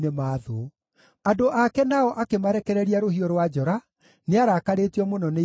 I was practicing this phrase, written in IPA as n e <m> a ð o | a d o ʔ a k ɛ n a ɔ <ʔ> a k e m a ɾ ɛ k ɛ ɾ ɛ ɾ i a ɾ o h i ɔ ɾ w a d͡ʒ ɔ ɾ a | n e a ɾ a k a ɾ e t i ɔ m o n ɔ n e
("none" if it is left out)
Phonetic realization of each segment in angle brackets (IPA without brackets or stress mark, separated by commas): m, ʔ